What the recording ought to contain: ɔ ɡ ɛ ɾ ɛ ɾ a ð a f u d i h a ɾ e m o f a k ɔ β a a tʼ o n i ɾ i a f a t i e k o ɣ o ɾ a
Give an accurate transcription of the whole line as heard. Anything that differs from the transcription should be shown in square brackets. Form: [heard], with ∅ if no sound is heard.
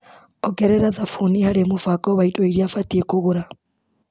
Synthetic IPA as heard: ɔ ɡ ɛ ɾ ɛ ɾ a ð a f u [n] i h a ɾ e m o f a k ɔ β a [i] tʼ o [∅] i ɾ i a f a t i e k o ɣ o ɾ a